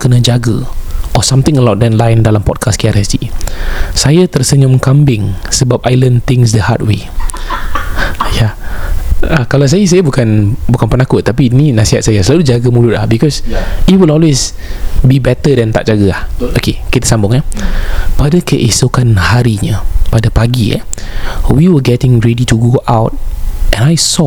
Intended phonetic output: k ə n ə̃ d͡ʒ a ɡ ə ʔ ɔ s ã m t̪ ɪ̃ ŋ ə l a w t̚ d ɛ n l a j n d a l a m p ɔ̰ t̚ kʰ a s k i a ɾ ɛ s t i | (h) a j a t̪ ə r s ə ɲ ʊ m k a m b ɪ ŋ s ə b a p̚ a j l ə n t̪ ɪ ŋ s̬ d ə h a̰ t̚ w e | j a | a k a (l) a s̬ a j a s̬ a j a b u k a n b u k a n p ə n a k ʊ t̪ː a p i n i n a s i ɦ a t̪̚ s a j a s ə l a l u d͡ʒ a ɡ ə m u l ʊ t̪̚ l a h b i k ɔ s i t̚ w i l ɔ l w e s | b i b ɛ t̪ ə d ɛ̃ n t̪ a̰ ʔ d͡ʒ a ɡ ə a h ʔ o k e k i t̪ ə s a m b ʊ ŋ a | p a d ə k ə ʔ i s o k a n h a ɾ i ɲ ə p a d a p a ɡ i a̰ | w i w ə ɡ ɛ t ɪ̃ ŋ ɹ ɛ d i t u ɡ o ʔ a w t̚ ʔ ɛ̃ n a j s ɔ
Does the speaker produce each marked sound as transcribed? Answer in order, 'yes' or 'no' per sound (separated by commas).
no, yes